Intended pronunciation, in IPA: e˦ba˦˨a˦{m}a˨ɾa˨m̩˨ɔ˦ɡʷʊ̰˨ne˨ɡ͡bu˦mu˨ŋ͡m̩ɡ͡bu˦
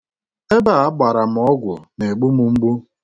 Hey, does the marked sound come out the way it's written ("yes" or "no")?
no